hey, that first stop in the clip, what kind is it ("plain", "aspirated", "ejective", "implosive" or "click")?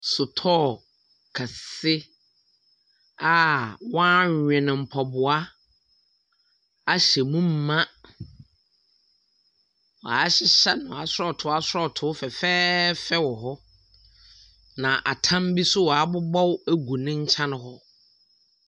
aspirated